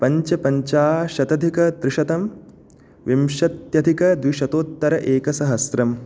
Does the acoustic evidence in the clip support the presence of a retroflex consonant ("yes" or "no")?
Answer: no